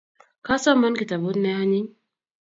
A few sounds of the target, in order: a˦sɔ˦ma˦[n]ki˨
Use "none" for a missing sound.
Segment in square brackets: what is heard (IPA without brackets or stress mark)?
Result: n